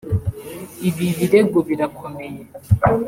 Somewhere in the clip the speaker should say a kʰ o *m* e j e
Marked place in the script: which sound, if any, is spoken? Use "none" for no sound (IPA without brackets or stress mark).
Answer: m